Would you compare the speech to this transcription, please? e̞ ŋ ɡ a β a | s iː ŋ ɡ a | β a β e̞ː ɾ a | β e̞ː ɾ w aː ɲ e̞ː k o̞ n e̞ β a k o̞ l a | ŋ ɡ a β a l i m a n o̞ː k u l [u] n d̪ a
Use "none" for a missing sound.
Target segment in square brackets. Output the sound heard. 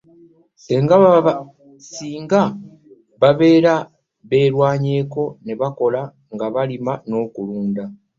uː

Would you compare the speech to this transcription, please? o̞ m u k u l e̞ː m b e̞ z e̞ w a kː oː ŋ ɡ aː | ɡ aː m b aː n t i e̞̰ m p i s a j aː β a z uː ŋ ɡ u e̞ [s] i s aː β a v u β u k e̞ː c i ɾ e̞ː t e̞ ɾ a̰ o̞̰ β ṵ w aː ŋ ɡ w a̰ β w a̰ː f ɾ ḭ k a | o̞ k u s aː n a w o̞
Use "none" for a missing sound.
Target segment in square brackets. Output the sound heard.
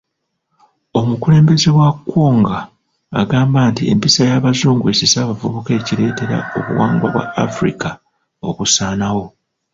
s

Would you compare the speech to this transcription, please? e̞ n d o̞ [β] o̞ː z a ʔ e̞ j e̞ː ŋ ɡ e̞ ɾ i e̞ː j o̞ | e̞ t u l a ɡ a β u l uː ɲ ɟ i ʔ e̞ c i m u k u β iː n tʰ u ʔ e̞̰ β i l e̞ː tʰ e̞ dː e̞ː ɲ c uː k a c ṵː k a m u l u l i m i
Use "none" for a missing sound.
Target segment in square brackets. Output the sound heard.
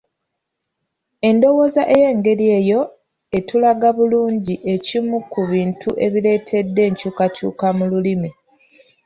w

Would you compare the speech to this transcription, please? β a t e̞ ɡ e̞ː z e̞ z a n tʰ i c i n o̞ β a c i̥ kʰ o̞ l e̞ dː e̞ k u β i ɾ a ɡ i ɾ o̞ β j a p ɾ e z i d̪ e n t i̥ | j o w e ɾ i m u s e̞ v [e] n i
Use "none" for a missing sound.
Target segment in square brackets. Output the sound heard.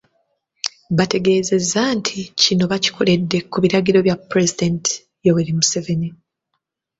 e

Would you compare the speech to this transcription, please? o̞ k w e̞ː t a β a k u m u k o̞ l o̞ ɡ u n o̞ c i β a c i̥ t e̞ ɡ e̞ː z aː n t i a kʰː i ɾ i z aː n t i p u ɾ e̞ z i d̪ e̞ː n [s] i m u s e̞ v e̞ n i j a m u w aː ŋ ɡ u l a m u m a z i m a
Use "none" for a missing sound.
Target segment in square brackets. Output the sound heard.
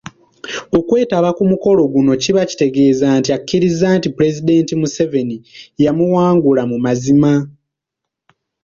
t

